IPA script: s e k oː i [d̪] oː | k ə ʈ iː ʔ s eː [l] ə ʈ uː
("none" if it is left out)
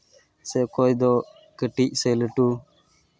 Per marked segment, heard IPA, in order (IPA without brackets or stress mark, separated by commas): d̪, l